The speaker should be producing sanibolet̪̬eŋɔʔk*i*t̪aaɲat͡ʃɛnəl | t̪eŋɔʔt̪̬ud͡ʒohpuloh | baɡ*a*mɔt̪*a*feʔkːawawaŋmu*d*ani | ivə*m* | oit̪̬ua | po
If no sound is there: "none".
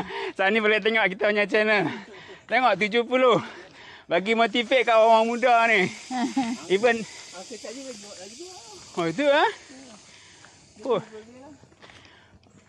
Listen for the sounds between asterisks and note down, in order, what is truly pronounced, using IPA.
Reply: i, i, i, d, n

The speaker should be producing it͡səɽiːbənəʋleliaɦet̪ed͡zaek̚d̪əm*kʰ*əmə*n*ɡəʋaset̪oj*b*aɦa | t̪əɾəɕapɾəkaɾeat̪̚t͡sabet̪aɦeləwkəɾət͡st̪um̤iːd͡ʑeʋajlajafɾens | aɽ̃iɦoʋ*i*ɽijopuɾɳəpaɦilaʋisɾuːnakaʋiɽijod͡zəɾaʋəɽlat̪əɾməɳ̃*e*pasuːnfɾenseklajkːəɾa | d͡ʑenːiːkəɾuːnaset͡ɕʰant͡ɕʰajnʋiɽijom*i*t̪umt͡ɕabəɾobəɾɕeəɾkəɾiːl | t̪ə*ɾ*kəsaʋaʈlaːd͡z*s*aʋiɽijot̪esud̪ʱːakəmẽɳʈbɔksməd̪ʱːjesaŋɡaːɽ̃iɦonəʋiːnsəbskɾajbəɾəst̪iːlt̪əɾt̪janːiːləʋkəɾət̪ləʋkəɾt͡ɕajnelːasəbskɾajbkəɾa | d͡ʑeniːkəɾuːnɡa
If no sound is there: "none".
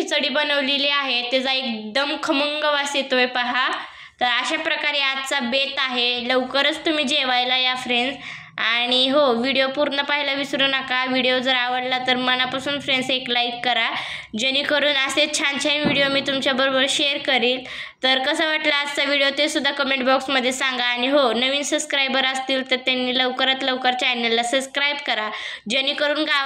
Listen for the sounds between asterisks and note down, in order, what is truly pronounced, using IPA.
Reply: kʰ, ŋ, p, i, a, iː, ɾ, t͡s

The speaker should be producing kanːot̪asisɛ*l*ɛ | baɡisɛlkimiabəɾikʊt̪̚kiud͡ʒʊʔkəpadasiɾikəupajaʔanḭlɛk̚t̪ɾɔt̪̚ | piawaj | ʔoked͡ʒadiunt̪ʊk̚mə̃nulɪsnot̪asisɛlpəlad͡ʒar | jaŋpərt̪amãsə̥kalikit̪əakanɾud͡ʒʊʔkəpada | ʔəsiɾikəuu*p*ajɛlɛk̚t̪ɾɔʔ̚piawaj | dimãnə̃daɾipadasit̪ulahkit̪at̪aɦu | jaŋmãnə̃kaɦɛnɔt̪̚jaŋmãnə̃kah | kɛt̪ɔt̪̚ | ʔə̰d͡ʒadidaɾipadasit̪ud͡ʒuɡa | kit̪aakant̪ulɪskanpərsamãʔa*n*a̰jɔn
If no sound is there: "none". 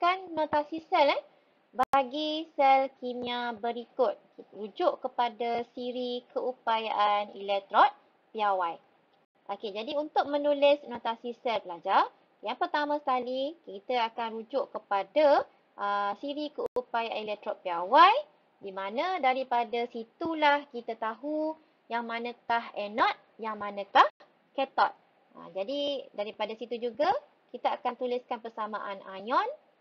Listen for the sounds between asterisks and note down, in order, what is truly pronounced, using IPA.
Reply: l, p, n

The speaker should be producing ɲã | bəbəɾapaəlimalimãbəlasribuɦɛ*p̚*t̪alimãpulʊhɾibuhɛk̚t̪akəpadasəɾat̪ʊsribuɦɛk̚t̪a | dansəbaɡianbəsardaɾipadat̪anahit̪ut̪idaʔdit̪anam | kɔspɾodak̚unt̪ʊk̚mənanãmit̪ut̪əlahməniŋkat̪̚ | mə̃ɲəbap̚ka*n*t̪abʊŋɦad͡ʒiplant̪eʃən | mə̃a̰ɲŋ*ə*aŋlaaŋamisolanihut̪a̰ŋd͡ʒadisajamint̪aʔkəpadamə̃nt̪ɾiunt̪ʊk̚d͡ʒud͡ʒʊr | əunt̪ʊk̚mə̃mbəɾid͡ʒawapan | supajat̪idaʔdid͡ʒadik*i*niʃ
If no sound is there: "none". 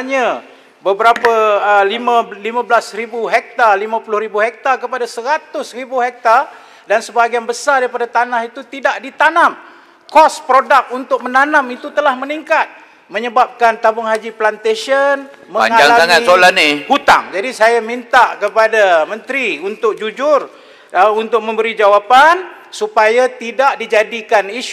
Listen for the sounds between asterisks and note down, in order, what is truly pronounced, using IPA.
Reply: k̚, n, a, a

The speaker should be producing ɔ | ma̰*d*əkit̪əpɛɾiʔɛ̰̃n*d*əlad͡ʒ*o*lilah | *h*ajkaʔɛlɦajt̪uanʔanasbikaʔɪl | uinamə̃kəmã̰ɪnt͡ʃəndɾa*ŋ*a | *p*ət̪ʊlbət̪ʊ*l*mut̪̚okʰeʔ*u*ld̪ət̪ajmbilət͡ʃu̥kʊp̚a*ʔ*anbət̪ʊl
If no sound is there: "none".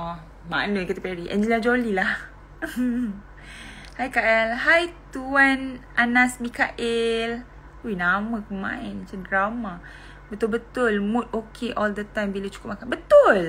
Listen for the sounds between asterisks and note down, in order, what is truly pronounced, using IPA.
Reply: n, d͡ʒ, o, h, m, b, l, ɔ, k

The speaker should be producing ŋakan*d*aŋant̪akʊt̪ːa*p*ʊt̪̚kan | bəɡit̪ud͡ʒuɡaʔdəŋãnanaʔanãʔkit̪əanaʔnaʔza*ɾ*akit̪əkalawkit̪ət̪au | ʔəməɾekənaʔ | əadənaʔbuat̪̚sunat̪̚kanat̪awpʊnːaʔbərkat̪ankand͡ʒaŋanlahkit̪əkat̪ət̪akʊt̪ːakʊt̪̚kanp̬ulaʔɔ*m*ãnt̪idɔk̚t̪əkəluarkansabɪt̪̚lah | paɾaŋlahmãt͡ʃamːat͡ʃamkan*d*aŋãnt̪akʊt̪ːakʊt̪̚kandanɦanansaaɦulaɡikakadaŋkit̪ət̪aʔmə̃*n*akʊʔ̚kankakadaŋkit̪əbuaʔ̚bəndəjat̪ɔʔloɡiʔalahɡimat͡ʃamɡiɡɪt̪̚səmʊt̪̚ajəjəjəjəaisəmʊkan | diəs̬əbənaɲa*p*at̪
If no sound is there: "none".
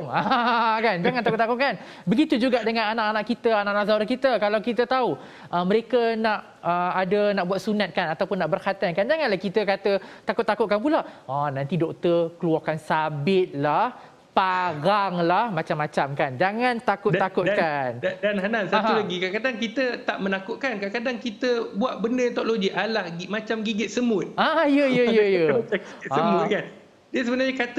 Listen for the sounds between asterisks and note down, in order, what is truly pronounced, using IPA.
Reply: d͡ʒ, k, ɾ, n, d͡ʒ, n, k

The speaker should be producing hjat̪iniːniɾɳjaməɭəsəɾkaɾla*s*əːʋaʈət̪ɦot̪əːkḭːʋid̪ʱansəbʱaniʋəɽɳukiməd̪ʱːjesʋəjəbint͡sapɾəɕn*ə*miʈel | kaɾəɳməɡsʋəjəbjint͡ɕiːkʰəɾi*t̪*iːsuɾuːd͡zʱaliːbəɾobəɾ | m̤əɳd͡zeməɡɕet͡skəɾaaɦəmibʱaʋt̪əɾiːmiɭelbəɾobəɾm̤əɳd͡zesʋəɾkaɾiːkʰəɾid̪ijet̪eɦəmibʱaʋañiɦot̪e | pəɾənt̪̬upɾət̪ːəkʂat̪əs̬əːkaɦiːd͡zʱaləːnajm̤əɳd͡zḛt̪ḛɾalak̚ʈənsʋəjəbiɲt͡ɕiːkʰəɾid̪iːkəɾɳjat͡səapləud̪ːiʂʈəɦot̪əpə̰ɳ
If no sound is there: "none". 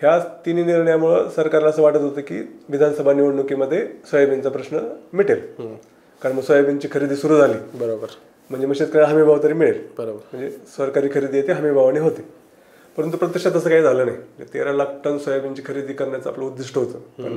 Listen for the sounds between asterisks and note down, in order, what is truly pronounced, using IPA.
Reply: s, ə, d̪

